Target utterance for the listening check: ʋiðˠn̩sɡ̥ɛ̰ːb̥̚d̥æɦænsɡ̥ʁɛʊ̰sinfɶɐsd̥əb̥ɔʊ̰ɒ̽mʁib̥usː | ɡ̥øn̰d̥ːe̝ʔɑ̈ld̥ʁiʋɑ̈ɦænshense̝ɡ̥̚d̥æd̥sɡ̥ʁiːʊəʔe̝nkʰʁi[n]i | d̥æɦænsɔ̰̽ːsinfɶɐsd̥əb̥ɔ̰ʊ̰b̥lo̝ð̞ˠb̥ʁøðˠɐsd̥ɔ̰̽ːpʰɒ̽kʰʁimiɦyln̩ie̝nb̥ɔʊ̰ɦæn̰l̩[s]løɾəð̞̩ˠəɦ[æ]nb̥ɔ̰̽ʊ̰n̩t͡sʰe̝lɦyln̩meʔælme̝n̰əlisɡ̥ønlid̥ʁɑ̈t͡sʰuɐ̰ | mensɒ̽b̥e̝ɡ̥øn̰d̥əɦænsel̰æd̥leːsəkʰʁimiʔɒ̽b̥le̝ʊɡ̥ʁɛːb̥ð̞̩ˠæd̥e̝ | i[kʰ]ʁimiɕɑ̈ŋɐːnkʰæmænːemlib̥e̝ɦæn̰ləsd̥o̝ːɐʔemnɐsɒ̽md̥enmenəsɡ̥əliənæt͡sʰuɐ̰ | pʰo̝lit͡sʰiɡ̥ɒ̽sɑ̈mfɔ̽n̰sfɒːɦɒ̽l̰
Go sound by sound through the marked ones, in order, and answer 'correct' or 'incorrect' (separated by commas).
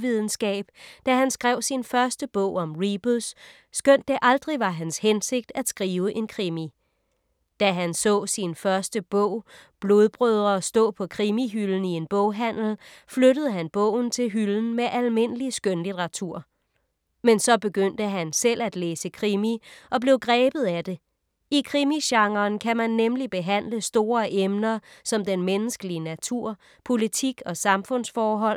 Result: incorrect, incorrect, correct, correct